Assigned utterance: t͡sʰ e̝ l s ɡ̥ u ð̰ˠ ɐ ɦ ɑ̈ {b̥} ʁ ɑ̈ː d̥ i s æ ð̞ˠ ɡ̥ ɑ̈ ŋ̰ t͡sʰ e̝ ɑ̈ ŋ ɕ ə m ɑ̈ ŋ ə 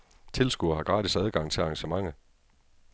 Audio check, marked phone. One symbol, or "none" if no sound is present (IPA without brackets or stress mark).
ɡ̥